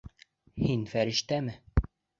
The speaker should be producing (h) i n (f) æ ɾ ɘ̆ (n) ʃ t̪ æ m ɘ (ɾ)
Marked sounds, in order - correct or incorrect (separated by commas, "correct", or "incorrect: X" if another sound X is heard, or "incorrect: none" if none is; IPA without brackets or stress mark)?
correct, correct, incorrect: none, incorrect: none